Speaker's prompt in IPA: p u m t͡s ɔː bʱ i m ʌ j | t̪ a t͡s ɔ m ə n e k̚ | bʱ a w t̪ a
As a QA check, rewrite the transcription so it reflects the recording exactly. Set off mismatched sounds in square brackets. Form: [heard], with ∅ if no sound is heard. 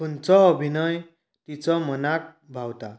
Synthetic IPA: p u [n] t͡s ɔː bʱ i [n] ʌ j | t̪ [i] t͡s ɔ m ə n [a] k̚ | bʱ a w t̪ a